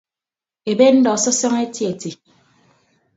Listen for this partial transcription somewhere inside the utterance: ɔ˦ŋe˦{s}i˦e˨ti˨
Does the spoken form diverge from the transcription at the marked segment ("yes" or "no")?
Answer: yes